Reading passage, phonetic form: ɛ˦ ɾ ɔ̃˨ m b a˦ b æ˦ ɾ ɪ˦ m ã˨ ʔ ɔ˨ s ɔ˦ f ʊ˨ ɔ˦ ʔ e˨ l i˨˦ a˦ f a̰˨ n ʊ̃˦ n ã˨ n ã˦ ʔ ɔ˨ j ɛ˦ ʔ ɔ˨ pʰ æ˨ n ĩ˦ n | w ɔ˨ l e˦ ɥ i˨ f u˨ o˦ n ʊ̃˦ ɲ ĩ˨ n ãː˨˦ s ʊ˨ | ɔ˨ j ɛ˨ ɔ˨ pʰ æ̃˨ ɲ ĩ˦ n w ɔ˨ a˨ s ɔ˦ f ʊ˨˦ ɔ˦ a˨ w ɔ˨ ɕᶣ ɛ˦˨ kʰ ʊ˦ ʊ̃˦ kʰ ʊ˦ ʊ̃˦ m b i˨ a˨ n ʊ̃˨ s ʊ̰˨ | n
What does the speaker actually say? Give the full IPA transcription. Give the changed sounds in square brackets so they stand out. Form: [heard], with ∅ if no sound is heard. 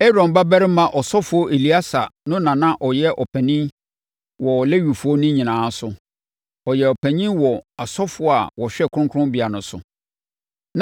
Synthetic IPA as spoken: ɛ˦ ɾ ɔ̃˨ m b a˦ b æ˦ ɾ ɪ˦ m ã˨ ʔ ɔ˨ s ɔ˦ f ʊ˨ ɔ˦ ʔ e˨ l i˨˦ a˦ [s] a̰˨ n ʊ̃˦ n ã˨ n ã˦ ʔ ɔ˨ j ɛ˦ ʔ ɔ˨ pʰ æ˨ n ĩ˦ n | w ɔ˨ l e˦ ɥ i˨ f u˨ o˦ n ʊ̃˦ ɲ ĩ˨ n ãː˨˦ s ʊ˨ | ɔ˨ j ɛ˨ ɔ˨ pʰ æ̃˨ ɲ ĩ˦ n w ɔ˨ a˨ s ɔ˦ f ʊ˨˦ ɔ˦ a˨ w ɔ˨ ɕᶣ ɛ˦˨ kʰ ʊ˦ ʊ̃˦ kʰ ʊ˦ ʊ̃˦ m b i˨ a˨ n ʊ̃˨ s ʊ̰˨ | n